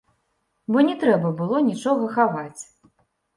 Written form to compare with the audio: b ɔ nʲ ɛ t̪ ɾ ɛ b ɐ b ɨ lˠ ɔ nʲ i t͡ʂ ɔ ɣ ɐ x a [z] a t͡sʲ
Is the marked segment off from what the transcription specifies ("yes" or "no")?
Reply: yes